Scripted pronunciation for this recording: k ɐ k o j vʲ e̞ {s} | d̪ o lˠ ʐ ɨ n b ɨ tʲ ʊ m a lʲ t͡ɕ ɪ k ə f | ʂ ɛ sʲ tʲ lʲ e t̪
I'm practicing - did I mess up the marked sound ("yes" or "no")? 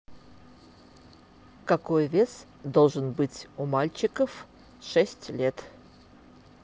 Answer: no